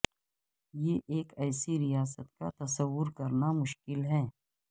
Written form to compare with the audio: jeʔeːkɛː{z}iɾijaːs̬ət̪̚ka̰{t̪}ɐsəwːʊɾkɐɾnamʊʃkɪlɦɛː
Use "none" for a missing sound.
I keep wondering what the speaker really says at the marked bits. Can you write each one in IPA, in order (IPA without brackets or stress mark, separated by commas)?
s, t̪